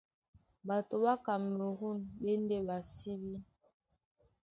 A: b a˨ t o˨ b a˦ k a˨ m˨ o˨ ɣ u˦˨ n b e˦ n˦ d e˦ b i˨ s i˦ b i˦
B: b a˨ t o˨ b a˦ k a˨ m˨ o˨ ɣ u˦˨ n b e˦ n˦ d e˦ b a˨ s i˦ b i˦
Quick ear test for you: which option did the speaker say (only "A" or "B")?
B